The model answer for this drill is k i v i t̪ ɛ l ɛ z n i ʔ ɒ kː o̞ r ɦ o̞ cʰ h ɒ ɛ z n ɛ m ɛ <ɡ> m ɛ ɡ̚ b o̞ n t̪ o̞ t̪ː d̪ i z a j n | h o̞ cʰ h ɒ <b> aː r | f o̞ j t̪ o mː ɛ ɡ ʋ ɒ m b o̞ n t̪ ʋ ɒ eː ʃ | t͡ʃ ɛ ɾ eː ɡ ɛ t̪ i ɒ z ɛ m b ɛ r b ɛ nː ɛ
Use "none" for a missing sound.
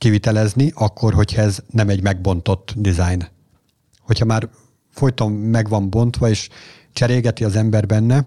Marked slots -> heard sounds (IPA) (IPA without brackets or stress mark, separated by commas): ɟ, m